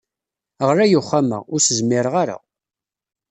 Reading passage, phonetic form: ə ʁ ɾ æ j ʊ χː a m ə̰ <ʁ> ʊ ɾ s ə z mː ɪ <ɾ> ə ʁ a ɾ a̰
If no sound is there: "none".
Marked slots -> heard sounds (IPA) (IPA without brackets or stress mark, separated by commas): ʁ, ɾ